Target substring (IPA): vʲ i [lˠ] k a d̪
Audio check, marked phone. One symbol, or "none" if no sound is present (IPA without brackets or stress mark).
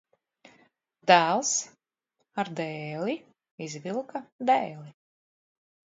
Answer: lˠ